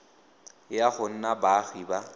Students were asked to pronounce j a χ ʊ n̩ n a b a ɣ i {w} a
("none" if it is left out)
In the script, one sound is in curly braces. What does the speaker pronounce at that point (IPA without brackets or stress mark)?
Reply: b